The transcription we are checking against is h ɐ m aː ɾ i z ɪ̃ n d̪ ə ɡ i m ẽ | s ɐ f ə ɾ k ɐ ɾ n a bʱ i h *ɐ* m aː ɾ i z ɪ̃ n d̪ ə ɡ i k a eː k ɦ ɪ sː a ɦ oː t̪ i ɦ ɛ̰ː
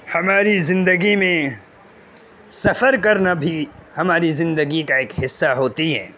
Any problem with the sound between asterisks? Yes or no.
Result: no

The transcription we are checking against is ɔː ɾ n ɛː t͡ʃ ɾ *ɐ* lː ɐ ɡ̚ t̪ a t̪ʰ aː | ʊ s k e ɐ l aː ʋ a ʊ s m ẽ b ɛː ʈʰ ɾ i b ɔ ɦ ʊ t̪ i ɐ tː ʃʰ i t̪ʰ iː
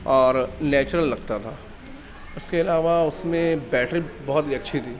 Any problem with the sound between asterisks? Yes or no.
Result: yes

